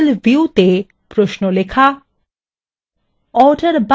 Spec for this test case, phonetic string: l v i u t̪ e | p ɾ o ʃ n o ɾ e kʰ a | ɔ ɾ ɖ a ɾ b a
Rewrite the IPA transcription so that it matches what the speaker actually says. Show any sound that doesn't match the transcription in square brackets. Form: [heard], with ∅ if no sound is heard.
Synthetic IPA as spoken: l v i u t̪ e | p ɾ o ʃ n o [l] e kʰ a | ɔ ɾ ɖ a ɾ b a